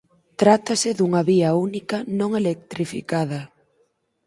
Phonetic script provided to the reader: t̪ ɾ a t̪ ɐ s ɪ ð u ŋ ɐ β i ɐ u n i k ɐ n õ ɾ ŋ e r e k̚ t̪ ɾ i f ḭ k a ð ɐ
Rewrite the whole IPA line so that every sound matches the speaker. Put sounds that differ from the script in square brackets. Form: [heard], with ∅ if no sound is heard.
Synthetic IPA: t̪ ɾ a t̪ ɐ s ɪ ð u ŋ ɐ β i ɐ u n i k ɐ n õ [∅] ŋ e [l] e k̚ t̪ ɾ i f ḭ k a ð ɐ

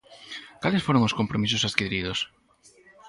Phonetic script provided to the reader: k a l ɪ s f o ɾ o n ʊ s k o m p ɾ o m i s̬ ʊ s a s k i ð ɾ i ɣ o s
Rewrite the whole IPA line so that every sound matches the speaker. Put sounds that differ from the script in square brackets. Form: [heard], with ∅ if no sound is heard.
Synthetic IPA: k a l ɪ s f o ɾ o [ŋ] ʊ s k o m p ɾ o m i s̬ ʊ s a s k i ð ɾ i [ð] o s

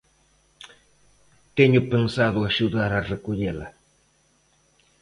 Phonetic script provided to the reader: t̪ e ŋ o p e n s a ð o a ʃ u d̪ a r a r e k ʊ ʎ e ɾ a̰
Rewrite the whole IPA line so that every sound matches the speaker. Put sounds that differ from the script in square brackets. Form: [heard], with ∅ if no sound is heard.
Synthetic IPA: t̪ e [ɲ] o p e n s a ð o a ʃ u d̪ a [ɾ] a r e k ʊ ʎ e [l] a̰

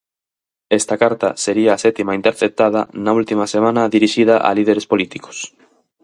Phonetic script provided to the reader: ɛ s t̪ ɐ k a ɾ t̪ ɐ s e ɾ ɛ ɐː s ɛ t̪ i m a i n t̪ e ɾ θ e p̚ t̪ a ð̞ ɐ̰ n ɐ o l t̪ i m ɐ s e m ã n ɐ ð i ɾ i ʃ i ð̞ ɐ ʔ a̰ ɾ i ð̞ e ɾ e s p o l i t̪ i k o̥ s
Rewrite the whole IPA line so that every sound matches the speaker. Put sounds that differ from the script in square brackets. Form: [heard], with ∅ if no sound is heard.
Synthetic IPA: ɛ s t̪ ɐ k a ɾ t̪ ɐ s e ɾ [i] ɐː s ɛ t̪ i m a i n t̪ e ɾ θ e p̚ t̪ a ð̞ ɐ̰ n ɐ [u] l t̪ i m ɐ s e m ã n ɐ ð i ɾ i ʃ i ð̞ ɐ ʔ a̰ [l] i ð̞ e ɾ e s p o l i t̪ i k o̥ s

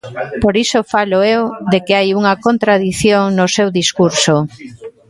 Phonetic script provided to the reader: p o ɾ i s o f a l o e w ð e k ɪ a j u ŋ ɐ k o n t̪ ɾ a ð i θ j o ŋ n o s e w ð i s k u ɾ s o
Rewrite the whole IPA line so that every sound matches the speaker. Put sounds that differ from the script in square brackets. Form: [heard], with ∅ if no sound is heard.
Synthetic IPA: p o ɾ i s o f a l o e w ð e k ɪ a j u ŋ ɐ k o n t̪ ɾ a ð i θ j o ŋ n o s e w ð i s k u ɾ s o

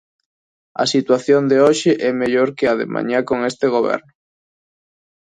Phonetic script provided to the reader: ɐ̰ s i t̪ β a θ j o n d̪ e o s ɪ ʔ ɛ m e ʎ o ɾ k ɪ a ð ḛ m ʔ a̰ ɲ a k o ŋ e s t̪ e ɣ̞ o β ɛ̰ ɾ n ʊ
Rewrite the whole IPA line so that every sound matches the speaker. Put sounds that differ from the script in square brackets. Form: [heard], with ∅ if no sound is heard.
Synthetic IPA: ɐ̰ s i t̪ [w] a θ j o n d̪ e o [ʃ] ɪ ʔ ɛ m e ʎ o ɾ k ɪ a ð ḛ m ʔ a̰ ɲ a k o ŋ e s t̪ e ɣ̞ o β ɛ̰ ɾ n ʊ

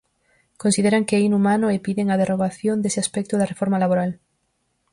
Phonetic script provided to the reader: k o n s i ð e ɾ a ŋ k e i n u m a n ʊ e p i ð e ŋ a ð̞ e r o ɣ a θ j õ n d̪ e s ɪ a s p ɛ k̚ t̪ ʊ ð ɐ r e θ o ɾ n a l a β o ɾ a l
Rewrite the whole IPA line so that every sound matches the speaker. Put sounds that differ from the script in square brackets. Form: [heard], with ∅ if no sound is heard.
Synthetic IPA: k o n s i ð e ɾ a ŋ k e i n u m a n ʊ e p i ð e ŋ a ð̞ e r o ɣ a θ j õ n d̪ e s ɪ a s p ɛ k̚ t̪ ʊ ð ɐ r e [f] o ɾ [m] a l a β o ɾ a l

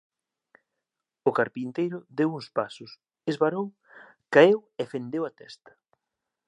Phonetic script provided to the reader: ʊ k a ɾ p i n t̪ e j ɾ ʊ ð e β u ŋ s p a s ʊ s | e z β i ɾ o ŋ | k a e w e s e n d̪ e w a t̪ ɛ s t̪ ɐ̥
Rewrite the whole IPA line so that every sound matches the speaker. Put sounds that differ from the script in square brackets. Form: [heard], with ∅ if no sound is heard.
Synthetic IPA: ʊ k a ɾ p i n t̪ e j ɾ ʊ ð e [w] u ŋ s p a s ʊ s | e z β [a] ɾ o ŋ | k a e w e [f] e n d̪ e w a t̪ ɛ s t̪ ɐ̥

